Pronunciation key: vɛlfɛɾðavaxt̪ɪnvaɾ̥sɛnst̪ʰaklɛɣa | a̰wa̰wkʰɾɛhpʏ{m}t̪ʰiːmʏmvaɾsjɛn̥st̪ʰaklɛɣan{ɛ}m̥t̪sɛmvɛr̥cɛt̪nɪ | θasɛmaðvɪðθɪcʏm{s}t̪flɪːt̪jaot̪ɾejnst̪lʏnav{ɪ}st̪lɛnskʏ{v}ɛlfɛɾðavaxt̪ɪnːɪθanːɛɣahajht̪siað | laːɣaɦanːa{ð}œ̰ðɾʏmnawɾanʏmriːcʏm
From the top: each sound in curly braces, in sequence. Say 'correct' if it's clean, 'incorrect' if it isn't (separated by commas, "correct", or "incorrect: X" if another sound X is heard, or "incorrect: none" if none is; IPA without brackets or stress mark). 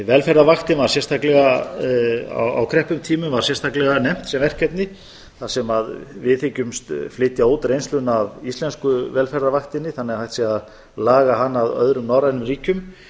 correct, correct, correct, incorrect: i, correct, correct